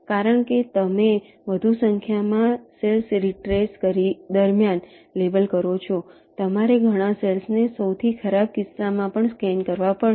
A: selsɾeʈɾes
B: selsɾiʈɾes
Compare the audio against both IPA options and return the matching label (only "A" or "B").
B